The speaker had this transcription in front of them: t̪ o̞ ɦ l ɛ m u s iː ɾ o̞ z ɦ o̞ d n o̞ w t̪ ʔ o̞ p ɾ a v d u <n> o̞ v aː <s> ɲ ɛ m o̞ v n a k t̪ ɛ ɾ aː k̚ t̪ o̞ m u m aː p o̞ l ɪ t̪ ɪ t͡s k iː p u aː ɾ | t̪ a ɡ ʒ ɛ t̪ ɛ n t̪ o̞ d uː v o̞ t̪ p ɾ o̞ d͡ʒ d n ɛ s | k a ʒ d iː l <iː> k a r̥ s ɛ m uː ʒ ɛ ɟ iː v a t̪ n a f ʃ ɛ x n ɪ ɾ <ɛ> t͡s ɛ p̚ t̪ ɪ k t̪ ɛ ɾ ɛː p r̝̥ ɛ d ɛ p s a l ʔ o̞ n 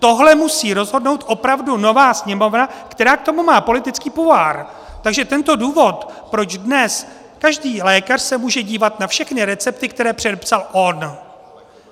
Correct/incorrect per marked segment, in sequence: correct, correct, incorrect, correct

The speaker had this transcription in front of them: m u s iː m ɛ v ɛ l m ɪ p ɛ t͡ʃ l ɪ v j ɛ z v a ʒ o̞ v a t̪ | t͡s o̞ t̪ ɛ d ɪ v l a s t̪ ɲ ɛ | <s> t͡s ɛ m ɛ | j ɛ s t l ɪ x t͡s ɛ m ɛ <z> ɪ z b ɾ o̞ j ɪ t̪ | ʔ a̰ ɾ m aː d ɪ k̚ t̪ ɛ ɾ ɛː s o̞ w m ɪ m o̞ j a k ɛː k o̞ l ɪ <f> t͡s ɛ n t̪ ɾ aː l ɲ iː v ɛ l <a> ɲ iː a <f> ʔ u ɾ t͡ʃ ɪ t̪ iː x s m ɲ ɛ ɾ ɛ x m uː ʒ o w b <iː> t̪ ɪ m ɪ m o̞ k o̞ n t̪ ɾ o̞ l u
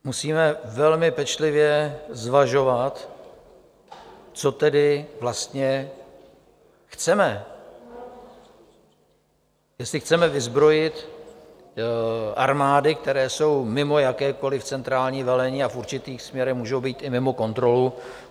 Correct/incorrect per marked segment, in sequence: incorrect, incorrect, correct, incorrect, correct, correct

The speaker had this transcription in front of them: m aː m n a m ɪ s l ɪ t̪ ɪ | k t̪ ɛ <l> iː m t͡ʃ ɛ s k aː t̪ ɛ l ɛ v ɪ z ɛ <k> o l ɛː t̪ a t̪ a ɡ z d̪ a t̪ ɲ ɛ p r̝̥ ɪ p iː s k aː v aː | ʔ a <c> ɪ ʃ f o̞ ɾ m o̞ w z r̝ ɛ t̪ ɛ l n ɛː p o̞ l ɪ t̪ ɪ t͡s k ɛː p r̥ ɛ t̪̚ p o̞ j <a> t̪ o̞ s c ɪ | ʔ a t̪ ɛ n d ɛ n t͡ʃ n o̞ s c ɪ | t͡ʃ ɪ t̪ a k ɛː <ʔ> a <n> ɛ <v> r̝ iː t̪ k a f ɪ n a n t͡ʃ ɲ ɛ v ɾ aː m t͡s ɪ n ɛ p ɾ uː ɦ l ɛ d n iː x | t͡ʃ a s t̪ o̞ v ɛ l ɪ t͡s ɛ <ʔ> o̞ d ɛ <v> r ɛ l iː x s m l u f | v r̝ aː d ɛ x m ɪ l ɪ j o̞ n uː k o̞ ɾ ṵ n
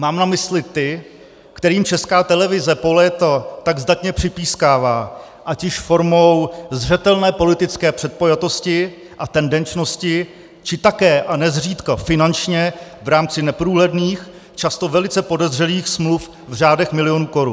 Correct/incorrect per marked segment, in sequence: incorrect, incorrect, correct, correct, correct, correct, incorrect, incorrect, incorrect

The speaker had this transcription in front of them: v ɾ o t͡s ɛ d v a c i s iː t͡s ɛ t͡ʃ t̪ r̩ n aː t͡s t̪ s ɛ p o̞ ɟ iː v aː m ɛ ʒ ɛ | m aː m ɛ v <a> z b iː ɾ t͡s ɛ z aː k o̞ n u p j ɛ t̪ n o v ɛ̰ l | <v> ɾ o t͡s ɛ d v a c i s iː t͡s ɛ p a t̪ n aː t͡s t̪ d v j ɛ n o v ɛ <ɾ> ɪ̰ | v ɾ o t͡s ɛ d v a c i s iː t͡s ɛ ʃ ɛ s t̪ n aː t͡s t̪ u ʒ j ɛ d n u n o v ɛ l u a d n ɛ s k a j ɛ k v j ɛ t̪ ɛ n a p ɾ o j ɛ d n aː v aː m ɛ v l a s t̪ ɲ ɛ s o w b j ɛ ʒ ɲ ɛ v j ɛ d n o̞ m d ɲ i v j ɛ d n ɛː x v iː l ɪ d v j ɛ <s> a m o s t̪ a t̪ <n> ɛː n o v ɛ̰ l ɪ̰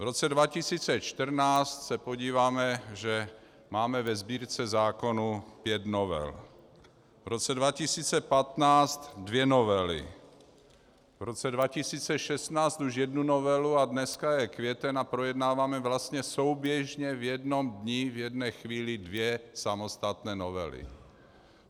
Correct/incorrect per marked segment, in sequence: incorrect, correct, incorrect, correct, correct

